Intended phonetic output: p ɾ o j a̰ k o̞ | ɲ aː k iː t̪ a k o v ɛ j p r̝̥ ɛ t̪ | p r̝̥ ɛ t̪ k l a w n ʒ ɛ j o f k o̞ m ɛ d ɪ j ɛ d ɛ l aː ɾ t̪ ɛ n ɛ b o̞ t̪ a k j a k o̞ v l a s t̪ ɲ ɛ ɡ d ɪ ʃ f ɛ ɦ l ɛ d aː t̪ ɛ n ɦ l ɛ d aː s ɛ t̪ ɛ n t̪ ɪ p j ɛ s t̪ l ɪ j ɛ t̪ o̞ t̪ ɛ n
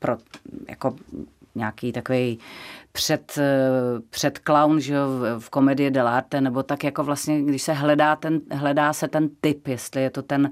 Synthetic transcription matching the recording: p ɾ o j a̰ k o̞ | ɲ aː k iː t̪ a k o v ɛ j p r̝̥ ɛ t̪ | p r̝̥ ɛ t̪ k l a w n ʒ ɛ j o f k o̞ m ɛ d ɪ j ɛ d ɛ l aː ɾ t̪ ɛ n ɛ b o̞ t̪ a k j a k o̞ v l a s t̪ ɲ ɛ ɡ d ɪ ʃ s ɛ ɦ l ɛ d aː t̪ ɛ n ɦ l ɛ d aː s ɛ t̪ ɛ n t̪ ɪ p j ɛ s t̪ l ɪ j ɛ t̪ o̞ t̪ ɛ n